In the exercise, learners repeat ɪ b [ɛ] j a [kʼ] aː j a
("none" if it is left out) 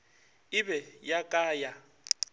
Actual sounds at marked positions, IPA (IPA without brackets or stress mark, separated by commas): ɛ, kʼ